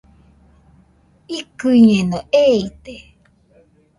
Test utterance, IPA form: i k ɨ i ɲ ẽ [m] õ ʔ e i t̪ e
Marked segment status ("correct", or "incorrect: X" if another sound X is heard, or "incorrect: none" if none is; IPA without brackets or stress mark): incorrect: n